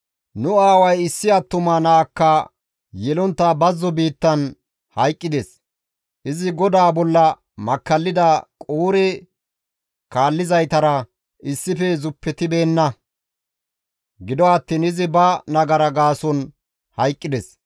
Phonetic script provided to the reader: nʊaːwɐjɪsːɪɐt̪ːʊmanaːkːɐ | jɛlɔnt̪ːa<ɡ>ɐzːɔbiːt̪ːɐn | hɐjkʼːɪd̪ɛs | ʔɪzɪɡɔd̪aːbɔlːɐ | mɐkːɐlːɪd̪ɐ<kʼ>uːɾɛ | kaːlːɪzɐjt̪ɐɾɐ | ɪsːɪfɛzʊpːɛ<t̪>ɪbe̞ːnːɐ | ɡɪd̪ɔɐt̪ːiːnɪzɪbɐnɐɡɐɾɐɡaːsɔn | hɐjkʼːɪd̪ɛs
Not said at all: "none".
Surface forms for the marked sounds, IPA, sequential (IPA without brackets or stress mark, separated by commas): b, kʼ, t̪